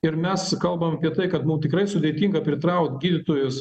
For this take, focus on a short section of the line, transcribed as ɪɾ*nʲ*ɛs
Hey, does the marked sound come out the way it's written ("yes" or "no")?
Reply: no